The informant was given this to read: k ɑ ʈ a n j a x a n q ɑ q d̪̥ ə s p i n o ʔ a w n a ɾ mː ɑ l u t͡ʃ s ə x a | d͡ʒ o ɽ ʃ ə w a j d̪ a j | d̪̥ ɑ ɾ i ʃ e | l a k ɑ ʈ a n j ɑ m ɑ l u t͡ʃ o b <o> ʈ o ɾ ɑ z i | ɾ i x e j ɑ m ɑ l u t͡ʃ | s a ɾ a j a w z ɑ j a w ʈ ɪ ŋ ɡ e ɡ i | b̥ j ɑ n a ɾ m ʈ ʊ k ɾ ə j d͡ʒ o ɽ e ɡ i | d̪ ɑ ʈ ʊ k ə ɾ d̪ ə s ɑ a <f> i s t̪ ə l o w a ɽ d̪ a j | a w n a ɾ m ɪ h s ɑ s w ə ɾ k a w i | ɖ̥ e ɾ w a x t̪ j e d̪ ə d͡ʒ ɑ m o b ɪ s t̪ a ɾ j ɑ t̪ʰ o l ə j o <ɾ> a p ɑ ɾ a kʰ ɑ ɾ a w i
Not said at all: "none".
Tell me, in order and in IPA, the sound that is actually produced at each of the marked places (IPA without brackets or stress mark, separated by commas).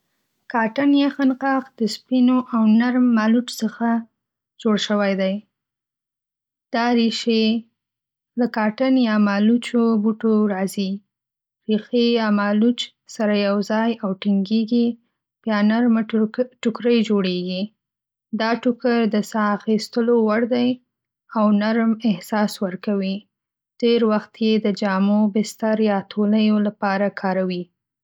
u, x, l